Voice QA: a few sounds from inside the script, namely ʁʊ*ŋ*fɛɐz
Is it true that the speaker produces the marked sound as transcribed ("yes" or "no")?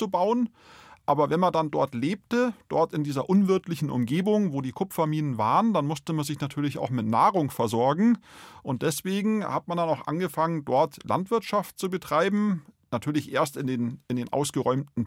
yes